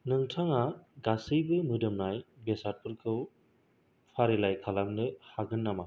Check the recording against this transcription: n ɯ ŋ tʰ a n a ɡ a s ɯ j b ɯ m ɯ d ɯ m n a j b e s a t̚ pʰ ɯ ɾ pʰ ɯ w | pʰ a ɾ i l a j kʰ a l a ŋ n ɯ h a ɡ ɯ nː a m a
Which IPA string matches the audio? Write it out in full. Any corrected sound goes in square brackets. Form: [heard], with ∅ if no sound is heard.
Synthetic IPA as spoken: n ɯ ŋ tʰ a [ŋ] a ɡ a s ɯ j b ɯ m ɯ d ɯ m n a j b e s a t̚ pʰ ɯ ɾ [kʰ] ɯ w | pʰ a ɾ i l a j kʰ a l a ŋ n ɯ h a ɡ ɯ nː a m a